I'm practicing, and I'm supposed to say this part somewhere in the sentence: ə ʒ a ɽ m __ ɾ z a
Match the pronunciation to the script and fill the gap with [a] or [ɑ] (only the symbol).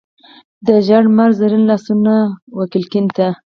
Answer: a